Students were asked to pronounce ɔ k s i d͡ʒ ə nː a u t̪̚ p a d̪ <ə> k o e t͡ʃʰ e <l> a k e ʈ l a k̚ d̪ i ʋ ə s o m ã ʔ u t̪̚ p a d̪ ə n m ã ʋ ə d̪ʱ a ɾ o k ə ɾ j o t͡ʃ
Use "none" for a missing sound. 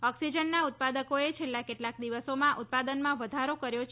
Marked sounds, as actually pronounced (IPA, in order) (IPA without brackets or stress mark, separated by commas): ə, lː